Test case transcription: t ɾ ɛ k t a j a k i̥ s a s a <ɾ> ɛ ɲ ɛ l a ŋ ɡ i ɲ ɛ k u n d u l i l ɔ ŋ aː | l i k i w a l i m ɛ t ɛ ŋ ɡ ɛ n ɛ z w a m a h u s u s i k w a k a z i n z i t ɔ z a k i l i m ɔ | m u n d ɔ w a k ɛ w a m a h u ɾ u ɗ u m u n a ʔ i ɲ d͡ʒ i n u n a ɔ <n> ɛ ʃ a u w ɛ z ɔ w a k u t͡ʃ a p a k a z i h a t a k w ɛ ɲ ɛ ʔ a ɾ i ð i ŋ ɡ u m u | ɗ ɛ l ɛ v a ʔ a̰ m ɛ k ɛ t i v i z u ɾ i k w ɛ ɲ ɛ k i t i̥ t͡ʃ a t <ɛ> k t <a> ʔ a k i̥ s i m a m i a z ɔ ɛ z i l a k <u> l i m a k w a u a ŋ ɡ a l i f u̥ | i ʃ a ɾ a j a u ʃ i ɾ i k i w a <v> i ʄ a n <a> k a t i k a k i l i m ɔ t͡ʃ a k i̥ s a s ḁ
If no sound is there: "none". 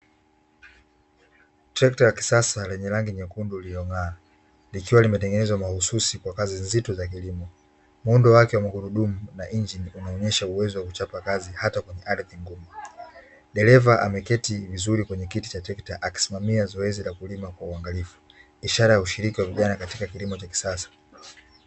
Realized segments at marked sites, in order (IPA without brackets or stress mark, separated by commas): l, ɲ, ɛ, a, u, v, a